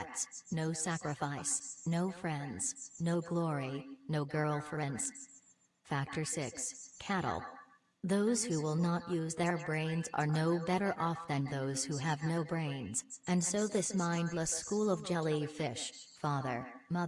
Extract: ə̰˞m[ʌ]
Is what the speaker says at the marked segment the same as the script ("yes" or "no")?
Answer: yes